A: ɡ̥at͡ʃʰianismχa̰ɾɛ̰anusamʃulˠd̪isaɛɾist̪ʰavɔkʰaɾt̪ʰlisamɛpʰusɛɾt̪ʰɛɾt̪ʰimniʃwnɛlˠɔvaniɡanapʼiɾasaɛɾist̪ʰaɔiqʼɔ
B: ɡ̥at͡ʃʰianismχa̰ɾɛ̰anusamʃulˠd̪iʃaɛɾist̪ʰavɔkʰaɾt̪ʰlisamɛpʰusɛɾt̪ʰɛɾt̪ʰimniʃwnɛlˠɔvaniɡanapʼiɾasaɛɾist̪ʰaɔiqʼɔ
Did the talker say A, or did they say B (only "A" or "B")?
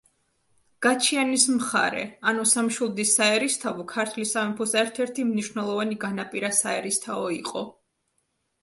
A